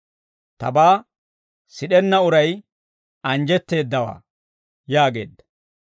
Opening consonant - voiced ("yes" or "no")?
no